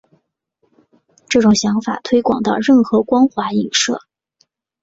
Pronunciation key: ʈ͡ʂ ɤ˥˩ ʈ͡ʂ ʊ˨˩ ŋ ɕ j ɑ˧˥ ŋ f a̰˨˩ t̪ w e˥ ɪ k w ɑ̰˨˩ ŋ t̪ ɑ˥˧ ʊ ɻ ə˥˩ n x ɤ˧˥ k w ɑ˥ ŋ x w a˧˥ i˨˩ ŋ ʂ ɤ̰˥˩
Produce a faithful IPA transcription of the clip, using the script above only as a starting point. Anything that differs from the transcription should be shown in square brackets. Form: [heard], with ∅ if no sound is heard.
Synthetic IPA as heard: ʈ͡ʂ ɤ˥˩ ʈ͡ʂ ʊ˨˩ ŋ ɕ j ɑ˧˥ ŋ f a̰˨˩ [t̪ʰ] w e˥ ɪ k w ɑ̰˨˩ ŋ t̪ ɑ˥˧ ʊ ɻ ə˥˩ n x ɤ˧˥ k w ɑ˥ ŋ x w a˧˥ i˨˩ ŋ ʂ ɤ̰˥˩